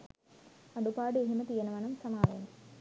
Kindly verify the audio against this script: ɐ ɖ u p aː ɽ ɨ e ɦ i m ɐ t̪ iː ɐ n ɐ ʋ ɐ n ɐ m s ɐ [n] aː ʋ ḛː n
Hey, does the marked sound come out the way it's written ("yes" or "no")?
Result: no